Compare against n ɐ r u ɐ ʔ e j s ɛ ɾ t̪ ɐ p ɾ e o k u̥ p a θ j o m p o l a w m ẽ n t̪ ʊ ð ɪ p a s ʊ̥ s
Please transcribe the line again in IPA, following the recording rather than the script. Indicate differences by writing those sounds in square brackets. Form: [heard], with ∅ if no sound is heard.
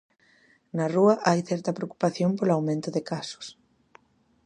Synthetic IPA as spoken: n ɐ r u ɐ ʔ [a] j [θ] ɛ ɾ t̪ ɐ p ɾ e o k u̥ p a θ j o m p o l a w m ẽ n t̪ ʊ ð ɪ [k] a s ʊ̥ s